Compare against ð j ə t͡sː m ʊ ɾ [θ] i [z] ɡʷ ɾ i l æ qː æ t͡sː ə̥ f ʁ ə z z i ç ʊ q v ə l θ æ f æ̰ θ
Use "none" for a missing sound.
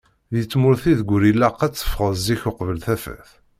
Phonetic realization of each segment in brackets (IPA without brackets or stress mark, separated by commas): θ, ð